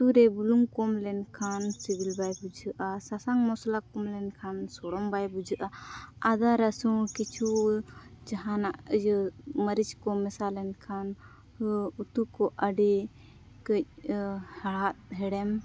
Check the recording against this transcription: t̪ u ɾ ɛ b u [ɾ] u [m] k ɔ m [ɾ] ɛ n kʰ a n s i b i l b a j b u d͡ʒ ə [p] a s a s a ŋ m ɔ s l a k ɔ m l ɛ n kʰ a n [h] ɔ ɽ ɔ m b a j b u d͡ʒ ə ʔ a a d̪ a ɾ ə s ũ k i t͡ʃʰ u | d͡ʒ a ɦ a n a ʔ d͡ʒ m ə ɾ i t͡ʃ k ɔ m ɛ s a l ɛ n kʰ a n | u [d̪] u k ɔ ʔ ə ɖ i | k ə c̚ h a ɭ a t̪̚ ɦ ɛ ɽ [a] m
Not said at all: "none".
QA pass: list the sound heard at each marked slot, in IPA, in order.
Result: l, ŋ, l, ʔ, s, t̪, ɛ

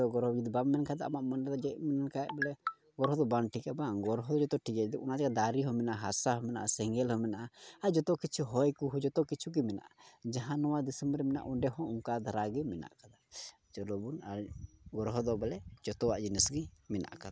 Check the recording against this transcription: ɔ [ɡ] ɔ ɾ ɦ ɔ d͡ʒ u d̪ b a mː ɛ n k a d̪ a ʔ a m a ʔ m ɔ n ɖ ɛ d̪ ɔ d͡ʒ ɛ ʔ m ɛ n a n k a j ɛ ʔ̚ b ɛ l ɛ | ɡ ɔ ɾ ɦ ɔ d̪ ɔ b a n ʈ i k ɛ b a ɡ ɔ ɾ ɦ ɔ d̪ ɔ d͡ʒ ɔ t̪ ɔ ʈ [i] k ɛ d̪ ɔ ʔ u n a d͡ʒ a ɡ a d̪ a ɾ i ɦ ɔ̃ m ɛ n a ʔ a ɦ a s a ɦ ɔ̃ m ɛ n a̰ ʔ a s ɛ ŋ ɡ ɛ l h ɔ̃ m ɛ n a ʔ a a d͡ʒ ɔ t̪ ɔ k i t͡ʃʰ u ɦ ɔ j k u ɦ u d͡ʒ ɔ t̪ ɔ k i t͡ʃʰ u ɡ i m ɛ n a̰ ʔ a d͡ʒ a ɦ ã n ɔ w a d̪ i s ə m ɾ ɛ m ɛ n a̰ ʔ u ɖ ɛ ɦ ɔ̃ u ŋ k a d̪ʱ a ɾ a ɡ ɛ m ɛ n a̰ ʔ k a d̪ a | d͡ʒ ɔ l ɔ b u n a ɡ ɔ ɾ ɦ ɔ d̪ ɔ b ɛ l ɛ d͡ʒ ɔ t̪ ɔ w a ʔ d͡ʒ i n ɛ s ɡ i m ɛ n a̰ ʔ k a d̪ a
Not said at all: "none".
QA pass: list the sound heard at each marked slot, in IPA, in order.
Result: ɡ, i

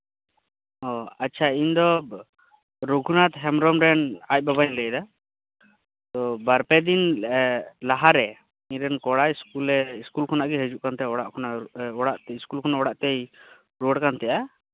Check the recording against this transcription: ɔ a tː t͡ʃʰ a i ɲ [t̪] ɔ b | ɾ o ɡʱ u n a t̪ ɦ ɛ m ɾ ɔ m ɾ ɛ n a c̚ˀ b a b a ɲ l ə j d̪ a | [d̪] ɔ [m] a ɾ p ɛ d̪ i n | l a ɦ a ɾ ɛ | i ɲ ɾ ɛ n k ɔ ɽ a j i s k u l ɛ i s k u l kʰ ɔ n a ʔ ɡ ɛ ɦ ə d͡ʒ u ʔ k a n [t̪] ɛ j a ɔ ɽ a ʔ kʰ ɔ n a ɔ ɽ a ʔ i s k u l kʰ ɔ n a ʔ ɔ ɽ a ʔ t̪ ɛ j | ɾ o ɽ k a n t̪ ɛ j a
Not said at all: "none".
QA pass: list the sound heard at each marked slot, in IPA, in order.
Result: d̪, t̪, b, t̪

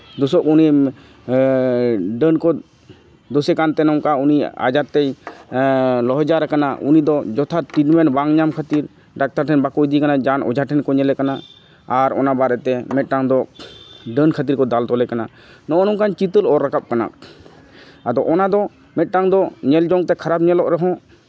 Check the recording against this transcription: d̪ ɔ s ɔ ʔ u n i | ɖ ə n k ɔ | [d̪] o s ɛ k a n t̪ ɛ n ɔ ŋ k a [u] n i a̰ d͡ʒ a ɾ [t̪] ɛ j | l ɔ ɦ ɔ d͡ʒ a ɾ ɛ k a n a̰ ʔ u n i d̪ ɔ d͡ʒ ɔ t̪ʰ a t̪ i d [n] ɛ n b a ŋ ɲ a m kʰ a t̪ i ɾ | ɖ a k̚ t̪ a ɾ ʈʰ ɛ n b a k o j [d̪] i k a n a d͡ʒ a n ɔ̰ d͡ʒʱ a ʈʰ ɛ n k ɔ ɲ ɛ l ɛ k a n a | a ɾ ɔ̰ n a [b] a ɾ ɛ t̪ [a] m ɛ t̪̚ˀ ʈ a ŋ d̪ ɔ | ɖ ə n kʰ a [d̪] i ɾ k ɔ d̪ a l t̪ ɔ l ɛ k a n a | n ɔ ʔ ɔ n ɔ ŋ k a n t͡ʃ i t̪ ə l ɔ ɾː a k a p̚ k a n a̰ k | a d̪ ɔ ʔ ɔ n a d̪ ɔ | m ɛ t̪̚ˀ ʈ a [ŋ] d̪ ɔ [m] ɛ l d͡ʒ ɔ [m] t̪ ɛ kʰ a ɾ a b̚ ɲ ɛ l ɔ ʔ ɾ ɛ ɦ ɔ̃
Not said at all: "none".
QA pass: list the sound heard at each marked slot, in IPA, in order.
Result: d̪, u, t̪, m, d̪, b, ɛ, t̪, ŋ, ɲ, ŋ

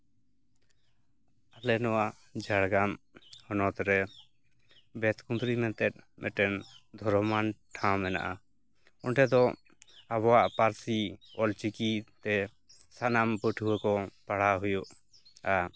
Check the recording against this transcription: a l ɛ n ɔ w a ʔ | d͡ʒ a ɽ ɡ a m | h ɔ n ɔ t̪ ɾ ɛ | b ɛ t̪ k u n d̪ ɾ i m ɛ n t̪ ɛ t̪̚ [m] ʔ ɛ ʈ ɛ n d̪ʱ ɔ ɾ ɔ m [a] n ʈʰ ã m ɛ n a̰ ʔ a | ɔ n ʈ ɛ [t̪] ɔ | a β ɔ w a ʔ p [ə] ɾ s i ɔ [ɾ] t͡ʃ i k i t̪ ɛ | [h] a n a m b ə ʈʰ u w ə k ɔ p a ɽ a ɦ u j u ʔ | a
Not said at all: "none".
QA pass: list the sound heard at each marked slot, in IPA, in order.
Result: m, a, d̪, a, l, s

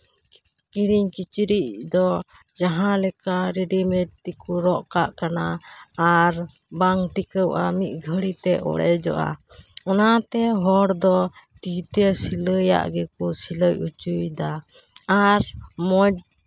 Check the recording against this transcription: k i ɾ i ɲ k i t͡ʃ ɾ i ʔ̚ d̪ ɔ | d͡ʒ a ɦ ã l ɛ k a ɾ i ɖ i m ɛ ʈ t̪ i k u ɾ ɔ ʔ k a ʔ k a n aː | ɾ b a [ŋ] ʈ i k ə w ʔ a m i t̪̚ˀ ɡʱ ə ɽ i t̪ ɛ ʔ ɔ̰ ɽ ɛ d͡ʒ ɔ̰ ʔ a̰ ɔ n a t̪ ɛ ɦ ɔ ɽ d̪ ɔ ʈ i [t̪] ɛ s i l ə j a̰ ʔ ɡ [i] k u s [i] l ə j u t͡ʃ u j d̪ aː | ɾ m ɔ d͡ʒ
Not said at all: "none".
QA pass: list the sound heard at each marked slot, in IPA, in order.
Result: ŋ, t̪, ɛ, i

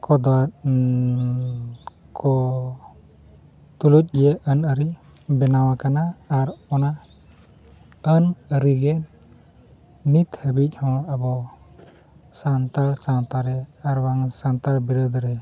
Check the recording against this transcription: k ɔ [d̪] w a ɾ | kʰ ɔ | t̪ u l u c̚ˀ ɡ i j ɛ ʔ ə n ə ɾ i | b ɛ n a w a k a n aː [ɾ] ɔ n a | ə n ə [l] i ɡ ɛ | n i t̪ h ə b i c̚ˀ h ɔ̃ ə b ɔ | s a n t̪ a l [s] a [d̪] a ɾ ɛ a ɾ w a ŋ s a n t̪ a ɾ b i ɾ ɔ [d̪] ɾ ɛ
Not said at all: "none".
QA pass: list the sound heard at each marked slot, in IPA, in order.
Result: d̪, ɾ, ɾ, s, t̪, d̪

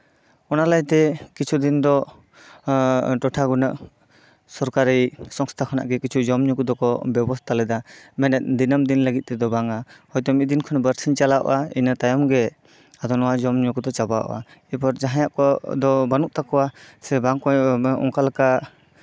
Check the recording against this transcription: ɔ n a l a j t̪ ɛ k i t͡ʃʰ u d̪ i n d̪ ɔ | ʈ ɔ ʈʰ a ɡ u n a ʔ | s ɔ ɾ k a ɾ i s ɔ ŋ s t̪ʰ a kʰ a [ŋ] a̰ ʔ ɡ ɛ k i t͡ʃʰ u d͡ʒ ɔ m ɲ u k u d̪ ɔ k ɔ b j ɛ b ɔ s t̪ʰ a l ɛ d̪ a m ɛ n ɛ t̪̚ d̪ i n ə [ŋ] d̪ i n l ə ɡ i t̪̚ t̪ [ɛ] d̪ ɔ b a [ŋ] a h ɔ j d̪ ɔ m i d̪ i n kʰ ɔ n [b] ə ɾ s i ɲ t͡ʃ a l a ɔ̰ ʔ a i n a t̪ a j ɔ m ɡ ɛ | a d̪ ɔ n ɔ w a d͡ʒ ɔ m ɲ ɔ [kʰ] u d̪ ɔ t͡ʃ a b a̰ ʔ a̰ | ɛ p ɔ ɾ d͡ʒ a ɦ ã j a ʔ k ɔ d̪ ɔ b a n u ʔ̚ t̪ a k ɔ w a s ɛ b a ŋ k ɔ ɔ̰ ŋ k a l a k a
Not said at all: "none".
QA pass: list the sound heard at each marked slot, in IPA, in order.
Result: n, m, ɛ, ŋ, b, k

